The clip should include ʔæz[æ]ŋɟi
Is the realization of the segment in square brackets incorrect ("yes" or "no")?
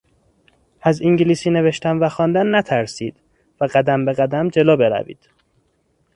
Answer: yes